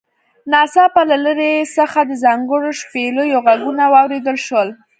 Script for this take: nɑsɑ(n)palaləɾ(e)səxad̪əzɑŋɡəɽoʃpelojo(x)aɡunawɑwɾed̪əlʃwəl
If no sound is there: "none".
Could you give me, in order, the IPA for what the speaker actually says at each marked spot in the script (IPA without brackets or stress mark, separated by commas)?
none, e, ɣ